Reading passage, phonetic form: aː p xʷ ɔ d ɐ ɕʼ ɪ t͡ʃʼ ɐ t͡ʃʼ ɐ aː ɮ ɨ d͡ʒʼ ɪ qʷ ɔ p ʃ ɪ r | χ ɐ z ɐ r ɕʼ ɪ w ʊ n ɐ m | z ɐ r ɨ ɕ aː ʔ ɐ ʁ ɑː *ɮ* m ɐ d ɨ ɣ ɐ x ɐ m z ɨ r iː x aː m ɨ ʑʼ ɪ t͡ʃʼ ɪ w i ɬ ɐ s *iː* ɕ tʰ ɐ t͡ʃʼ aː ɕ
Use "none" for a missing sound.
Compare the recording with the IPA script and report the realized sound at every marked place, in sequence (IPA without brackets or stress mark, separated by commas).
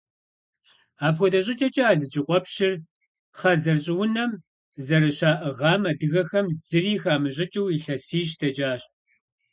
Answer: none, iː